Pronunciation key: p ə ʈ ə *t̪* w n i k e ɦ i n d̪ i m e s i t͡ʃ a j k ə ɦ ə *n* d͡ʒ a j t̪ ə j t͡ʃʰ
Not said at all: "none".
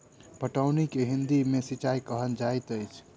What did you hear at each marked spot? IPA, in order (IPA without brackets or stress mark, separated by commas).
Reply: none, n